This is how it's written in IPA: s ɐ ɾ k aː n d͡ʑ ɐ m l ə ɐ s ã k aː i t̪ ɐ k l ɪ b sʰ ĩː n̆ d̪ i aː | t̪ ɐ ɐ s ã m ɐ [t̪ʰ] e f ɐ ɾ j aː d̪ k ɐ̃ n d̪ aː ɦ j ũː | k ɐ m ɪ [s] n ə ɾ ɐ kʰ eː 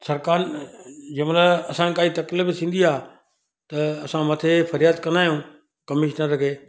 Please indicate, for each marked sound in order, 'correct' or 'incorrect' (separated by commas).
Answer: correct, incorrect